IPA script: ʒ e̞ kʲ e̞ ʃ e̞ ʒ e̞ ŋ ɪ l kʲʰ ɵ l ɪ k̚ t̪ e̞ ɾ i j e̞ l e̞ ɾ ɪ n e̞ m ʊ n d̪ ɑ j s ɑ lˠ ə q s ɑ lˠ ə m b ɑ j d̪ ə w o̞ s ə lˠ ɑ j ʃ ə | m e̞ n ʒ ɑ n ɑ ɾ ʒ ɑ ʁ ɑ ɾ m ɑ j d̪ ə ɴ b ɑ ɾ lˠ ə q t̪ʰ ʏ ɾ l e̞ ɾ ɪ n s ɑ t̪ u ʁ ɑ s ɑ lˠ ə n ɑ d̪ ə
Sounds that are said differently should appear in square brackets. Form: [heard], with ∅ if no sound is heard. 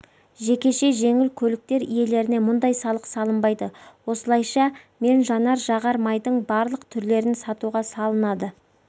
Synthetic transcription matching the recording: ʒ e̞ kʲ e̞ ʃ e̞ ʒ e̞ ŋ ɪ l kʲʰ ɵ l ɪ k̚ t̪ e̞ ɾ i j e̞ l e̞ ɾ ɪ n e̞ m ʊ n d̪ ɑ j s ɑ lˠ ə q s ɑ lˠ ə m b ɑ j d̪ ə w o̞ s ə lˠ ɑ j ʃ [ɑ] | m e̞ n ʒ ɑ n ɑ ɾ ʒ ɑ ʁ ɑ ɾ m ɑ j d̪ ə ɴ b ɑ ɾ lˠ ə q t̪ʰ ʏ ɾ l e̞ ɾ ɪ n s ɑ t̪ u ʁ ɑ s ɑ lˠ ə n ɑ d̪ ə